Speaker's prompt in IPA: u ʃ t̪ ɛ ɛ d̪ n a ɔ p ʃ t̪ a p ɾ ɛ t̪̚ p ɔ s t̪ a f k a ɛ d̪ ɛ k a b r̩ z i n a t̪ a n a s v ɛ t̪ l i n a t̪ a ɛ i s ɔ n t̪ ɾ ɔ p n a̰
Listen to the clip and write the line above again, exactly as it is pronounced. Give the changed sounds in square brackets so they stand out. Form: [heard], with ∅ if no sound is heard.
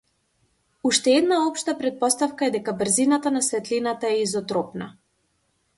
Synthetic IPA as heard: u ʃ t̪ ɛ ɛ d̪ n a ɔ p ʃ t̪ a p ɾ ɛ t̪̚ p ɔ s t̪ a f k a ɛ d̪ ɛ k a b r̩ z i n a t̪ a n a s v ɛ t̪ l i n a t̪ a ɛ i [z] ɔ [∅] t̪ ɾ ɔ p n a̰